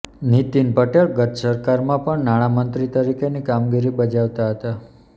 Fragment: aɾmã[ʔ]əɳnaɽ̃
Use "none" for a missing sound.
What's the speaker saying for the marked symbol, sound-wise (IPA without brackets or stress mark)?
p